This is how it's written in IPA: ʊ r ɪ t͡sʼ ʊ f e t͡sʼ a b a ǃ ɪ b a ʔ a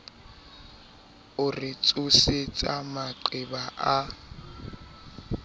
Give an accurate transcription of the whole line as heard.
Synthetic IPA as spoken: ʊ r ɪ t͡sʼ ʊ s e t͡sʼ a m a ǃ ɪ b a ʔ a